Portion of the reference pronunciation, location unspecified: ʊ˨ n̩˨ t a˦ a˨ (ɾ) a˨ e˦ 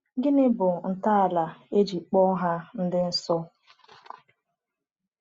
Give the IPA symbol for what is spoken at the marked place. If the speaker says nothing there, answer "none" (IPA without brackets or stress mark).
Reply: l